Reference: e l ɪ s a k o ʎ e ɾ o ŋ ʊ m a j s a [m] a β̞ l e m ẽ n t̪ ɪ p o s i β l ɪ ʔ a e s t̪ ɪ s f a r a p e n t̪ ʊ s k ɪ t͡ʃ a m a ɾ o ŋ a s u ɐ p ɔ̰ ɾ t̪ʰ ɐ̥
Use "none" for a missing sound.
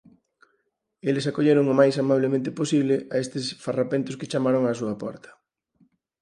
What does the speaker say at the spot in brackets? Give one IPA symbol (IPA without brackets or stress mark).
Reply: m